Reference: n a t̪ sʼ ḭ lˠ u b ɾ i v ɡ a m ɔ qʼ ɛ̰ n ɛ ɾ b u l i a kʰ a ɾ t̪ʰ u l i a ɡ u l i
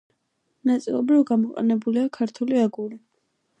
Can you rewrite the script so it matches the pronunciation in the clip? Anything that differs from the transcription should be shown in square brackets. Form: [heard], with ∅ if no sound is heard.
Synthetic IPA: n a t̪ sʼ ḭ lˠ [ɔ] b ɾ i v ɡ a m ɔ qʼ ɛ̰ n ɛ [∅] b u l i a kʰ a ɾ t̪ʰ u l i a ɡ u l i